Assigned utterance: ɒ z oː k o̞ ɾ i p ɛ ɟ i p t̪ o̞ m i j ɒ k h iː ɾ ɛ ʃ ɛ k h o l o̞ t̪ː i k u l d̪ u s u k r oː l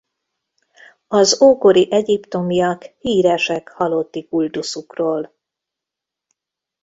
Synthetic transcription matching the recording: ɒ z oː k o̞ ɾ i ʔ ɛ ɟ i p t̪ o̞ m i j ɒ k h iː ɾ ɛ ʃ ɛ k h ɒ l o̞ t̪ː i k u l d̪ u s u k r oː l